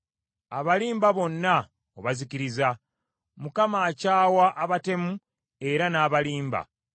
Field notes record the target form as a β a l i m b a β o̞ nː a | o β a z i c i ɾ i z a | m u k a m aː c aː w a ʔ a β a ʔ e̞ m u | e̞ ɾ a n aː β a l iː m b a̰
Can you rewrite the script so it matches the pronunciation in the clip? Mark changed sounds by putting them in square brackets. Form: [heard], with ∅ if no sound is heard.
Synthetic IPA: a β a l [iː] m b a β o̞ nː a | o β a z i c i ɾ i z a | m u k a m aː c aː w a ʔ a β a [t] e̞ m u | e̞ ɾ a n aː β a l iː m b a̰